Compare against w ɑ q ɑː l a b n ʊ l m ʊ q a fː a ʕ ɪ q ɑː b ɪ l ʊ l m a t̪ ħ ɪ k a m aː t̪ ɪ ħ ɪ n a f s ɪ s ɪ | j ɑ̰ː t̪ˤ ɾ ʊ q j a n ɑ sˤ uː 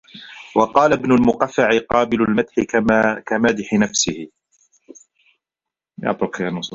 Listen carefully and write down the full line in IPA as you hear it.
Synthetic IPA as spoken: w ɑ q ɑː l a b n ʊ l m ʊ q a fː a ʕ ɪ q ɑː b ɪ l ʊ l m a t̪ ħ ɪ k a m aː d̪ ɪ ħ ɪ n a f s ɪ h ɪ | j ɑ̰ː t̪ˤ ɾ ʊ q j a n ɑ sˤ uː